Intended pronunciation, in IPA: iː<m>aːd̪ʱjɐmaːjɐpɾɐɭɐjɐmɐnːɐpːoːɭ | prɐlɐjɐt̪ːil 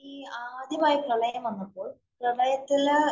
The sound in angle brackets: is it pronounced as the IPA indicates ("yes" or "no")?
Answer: no